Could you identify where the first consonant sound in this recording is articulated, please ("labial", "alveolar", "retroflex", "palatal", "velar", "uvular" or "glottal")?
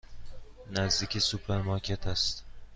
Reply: alveolar